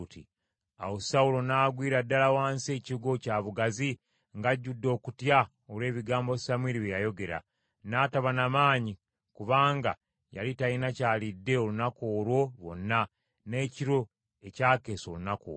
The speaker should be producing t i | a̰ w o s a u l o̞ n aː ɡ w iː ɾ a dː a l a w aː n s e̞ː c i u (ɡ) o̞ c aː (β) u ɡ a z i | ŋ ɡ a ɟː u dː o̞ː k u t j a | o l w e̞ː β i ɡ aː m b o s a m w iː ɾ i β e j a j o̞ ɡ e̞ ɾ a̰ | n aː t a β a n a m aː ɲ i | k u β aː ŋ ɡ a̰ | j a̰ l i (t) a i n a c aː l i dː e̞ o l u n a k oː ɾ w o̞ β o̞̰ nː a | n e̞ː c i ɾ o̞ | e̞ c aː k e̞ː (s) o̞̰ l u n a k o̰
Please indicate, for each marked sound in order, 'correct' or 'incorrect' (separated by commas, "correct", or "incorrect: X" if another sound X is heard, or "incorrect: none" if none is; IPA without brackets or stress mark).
correct, correct, correct, correct